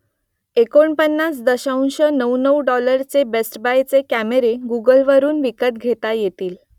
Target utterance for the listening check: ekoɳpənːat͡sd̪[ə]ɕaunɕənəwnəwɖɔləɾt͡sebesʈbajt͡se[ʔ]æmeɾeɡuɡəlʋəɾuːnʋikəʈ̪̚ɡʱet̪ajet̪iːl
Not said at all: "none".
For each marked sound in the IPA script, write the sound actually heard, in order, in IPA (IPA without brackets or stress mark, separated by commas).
ə, k